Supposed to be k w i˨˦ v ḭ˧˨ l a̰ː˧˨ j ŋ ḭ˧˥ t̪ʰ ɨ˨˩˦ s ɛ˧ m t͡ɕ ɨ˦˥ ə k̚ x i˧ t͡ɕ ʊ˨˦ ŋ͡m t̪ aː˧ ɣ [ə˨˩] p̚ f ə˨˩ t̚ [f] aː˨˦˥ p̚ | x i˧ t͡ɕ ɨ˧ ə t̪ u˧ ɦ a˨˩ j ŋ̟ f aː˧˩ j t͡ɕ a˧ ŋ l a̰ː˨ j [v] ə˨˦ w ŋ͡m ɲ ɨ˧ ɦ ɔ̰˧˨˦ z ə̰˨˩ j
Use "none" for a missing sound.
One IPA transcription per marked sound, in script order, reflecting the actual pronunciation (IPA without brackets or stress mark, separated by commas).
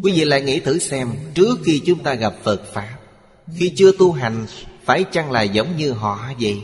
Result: a˨˩, f, z